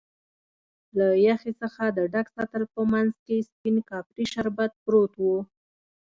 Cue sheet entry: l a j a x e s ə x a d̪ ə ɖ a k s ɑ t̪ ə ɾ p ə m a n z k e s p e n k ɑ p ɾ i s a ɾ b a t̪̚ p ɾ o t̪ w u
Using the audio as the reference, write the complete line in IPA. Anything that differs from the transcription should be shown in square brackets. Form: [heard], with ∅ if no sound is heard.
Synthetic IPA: l a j a x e s ə x a d̪ ə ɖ a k s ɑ t̪ ə [l] p ə m a n z k e s p [i] n k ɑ p ɾ i [ʃ] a ɾ b a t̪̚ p ɾ o t̪ w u